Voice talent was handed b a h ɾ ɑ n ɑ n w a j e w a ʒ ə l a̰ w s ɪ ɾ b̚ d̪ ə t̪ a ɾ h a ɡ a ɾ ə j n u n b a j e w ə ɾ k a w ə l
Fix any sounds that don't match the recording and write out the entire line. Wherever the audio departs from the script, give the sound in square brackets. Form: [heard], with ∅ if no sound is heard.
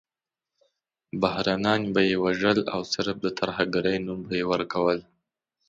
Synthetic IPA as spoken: b a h ɾ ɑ n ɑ n [b] a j e w a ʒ ə l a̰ w s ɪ ɾ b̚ d̪ ə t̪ a ɾ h a ɡ a ɾ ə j n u [m] b a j e w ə ɾ k a w ə l